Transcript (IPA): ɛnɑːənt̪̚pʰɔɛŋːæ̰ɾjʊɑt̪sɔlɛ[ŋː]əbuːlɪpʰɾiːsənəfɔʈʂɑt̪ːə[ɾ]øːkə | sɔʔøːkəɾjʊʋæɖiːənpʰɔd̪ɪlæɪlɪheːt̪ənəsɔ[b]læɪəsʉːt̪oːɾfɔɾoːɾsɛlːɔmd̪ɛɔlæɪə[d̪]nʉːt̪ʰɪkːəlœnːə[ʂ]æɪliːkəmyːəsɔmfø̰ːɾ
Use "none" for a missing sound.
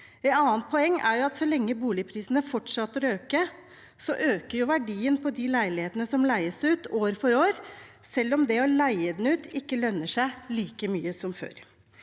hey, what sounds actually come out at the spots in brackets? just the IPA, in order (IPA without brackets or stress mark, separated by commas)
ŋː, ɾ, m, d̪, ʂ